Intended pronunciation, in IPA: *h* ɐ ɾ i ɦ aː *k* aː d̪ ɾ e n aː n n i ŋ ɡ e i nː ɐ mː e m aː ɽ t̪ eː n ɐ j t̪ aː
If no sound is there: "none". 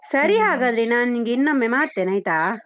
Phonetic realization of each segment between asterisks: s, ɡ

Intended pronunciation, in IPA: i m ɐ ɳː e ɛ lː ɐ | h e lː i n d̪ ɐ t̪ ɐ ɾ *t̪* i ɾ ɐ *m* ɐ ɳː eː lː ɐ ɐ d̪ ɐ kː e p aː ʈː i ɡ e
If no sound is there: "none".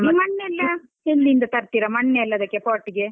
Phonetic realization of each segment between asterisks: t̪, m

